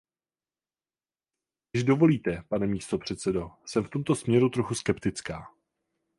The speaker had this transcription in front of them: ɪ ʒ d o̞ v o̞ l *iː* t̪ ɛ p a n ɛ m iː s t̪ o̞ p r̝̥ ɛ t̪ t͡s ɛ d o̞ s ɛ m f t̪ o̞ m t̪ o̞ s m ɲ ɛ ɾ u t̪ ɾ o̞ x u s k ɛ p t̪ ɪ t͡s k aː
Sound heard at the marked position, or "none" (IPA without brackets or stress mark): iː